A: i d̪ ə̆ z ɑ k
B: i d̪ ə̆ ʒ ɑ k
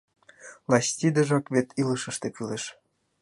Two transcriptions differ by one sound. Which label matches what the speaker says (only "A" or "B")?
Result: B